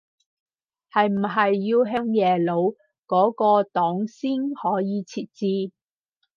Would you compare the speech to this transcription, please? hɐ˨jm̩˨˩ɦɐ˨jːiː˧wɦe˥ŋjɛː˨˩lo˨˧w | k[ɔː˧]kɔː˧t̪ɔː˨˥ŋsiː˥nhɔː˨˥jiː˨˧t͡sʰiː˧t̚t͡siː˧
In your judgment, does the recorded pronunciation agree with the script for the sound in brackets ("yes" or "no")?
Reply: no